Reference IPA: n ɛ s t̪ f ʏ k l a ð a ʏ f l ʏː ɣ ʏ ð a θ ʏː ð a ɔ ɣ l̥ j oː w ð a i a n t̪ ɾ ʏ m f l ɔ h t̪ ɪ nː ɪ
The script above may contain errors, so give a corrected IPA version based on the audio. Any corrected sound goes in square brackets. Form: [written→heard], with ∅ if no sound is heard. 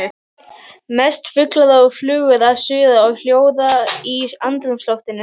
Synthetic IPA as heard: [n→m] ɛ s t̪ f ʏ k l a ð a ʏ f l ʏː ɣ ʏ ð a [θ→s] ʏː ð a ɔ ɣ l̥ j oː w ð a i a n t̪ ɾ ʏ m [f→s] l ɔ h t̪ ɪ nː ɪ